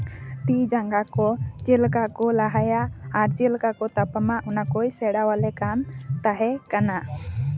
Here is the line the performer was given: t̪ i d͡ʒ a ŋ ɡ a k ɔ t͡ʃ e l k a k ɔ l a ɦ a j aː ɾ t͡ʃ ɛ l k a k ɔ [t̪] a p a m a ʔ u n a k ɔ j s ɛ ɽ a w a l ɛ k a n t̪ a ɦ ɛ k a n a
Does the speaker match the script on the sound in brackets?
yes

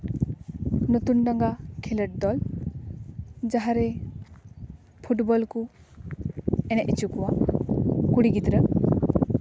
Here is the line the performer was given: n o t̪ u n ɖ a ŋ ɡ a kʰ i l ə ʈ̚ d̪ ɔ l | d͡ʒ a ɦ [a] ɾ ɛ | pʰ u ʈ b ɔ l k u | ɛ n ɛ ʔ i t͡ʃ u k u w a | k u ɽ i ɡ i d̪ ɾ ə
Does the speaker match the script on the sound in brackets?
yes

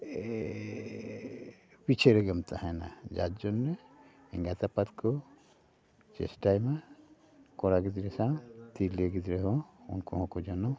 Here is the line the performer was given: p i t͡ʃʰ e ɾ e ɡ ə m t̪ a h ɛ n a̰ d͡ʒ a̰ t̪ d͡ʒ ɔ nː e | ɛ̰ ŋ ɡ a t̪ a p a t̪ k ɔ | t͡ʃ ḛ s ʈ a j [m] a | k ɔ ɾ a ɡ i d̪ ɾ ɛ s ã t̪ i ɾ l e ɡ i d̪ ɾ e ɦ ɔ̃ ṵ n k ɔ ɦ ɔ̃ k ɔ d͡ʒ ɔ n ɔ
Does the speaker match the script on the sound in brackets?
yes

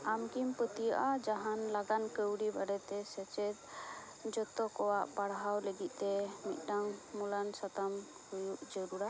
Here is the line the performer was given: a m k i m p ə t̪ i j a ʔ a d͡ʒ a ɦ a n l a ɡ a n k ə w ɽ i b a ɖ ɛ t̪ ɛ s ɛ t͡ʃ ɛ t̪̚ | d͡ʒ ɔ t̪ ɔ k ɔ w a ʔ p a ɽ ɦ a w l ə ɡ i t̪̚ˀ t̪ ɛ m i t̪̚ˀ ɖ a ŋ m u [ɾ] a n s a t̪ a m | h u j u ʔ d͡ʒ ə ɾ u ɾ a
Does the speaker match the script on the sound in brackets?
no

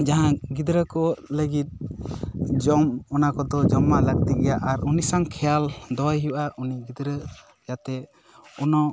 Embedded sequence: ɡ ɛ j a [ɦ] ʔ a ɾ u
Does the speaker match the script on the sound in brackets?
no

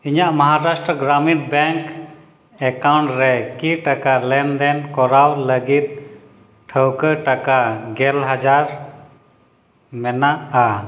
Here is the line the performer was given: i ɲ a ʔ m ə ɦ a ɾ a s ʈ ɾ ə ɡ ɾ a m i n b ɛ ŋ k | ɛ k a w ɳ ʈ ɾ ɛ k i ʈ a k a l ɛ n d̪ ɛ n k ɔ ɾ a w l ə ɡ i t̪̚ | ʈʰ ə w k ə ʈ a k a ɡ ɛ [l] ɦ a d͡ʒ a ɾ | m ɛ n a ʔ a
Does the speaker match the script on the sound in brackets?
yes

